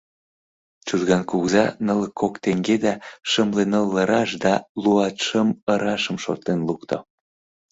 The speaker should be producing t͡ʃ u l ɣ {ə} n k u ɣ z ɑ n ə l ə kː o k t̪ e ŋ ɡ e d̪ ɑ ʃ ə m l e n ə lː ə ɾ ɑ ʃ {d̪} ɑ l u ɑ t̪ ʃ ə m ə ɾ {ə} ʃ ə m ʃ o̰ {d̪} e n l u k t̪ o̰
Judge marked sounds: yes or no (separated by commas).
no, yes, no, no